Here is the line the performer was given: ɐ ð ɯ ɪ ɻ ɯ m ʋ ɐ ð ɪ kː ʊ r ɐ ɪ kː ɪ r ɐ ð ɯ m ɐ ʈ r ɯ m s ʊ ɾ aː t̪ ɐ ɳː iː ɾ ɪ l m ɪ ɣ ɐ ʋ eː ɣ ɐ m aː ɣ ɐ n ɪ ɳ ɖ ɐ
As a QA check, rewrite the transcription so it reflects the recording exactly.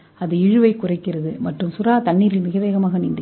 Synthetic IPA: ɐ ð ɯ ɪ ɻ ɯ ʋ ɐ ɪ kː ʊ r ɐ ɪ kː ɪ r ɐ ð ɯ m ɐ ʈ r ɯ m s ʊ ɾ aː t̪ ɐ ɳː iː ɾ ɪ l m ɪ ɣ ɐ ʋ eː ɣ ɐ m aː ɣ ɐ n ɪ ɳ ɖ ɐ